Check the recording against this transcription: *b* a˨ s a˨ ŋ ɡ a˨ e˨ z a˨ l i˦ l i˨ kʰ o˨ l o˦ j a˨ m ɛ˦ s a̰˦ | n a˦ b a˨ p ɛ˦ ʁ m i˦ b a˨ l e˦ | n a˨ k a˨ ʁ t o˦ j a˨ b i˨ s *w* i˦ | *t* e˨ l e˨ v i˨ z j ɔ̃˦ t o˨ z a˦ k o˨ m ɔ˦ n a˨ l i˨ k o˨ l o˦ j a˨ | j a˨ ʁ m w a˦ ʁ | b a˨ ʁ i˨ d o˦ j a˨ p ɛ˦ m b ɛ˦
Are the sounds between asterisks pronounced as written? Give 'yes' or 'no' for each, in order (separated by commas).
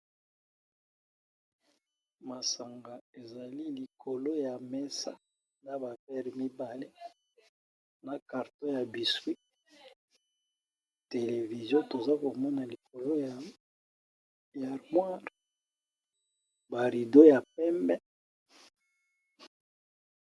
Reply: no, yes, yes